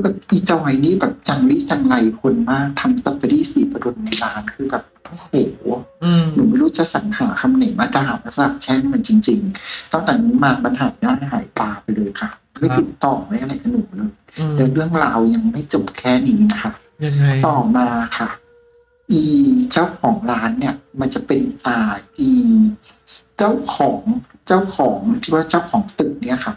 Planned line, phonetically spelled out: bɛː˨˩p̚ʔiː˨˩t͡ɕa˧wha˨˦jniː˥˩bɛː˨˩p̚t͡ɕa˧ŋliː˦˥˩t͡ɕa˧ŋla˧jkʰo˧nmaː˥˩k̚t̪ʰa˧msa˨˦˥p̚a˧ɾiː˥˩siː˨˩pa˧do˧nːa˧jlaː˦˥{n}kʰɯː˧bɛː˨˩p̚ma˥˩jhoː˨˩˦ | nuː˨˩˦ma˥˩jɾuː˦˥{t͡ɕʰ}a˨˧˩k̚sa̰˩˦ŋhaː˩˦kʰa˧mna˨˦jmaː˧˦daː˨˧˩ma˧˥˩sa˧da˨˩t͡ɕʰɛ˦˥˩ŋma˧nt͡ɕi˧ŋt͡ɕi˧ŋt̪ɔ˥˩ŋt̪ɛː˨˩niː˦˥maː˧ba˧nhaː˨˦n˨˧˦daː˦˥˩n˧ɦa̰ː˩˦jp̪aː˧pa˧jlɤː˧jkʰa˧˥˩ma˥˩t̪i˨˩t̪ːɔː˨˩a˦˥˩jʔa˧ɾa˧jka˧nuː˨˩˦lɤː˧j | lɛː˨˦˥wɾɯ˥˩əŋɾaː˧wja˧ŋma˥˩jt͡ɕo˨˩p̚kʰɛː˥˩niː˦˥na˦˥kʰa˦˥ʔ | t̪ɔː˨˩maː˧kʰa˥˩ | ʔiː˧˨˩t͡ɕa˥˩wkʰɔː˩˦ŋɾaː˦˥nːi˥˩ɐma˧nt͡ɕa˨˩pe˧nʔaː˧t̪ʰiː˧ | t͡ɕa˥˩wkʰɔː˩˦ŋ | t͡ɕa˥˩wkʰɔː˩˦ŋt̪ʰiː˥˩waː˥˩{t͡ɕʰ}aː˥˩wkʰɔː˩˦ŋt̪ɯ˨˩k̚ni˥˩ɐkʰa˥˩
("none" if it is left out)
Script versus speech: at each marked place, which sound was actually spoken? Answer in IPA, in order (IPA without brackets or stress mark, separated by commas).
n, t͡ɕ, t͡ɕ